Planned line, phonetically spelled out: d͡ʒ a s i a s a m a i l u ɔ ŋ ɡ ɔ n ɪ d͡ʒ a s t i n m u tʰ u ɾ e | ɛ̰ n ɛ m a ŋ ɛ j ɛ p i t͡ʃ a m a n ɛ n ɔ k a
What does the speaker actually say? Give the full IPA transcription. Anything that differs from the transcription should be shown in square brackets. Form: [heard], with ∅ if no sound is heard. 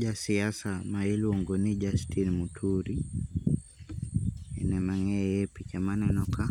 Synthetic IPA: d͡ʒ a s i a s a m a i l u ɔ ŋ ɡ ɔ n [i] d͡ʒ a s t i n m u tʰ u ɾ [i] | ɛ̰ n ɛ m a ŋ ɛ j ɛ p i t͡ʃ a m a n ɛ n ɔ k a